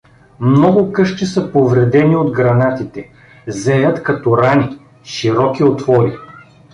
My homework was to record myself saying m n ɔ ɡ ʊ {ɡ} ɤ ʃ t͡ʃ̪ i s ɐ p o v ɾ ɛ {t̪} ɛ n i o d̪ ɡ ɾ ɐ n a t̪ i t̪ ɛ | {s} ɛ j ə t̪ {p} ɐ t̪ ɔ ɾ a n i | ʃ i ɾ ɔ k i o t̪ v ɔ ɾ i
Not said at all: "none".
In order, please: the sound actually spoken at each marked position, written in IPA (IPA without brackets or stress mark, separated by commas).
k, d̪, z, k